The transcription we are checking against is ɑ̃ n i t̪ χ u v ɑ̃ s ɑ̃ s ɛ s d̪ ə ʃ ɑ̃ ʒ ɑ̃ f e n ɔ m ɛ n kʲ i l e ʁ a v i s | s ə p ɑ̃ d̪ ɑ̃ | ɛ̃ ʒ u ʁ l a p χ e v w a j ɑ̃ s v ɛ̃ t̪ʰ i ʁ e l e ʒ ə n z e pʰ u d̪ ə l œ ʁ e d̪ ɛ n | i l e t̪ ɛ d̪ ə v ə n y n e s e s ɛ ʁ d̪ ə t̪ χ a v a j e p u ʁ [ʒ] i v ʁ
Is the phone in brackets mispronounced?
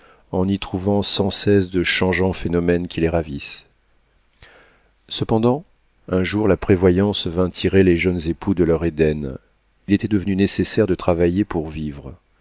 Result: yes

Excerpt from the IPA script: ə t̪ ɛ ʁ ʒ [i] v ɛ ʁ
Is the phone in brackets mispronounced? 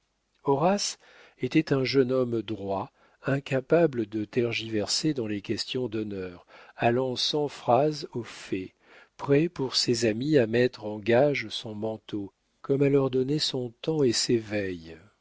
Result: no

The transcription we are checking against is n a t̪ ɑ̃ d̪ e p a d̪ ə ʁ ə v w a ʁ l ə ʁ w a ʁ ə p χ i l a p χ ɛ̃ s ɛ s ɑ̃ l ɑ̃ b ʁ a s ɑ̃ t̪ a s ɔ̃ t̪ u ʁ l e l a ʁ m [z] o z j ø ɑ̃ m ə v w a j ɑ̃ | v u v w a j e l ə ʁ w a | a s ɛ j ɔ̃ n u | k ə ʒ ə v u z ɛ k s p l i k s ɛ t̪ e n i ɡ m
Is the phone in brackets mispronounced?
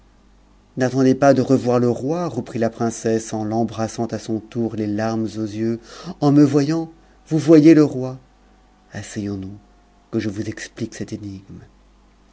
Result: no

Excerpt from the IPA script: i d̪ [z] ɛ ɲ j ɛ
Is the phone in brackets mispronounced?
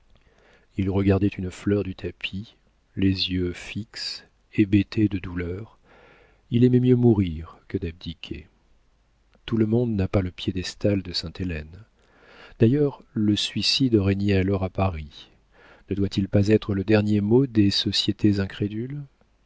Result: yes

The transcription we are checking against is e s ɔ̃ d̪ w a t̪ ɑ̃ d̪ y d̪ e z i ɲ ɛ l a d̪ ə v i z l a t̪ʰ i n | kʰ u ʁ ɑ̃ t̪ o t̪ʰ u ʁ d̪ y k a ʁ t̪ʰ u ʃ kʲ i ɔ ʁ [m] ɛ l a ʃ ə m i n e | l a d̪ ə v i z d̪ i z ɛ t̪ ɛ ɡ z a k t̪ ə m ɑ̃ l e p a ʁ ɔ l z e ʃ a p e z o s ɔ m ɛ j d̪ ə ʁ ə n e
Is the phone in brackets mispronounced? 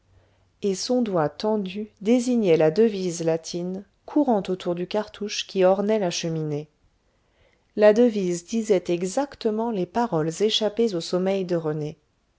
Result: yes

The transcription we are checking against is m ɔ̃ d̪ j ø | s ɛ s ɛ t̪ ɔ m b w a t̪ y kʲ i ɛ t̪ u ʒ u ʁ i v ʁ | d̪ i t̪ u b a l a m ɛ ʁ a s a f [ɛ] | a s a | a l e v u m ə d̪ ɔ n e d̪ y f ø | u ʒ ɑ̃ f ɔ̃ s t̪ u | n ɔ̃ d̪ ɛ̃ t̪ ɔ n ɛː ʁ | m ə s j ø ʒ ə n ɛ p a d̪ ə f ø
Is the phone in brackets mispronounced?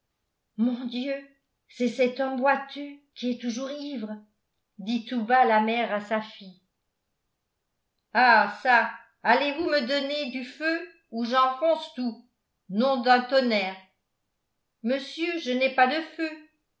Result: yes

